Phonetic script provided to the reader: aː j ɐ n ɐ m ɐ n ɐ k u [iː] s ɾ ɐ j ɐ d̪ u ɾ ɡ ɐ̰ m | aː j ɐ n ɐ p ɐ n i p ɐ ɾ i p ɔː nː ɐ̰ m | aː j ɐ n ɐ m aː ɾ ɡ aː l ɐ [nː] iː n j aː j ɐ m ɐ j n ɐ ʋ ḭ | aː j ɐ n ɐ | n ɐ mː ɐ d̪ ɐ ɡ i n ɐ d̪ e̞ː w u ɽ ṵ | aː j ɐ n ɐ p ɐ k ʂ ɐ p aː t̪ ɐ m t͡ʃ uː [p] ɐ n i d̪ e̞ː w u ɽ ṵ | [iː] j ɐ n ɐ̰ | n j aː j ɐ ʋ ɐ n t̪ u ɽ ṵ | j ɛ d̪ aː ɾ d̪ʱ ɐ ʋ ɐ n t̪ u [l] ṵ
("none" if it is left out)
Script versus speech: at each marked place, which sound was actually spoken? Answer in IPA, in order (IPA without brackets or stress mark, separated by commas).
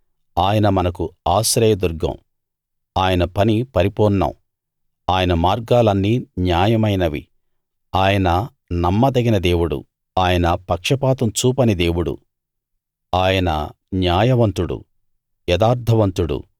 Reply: aː, nː, p, aː, ɽ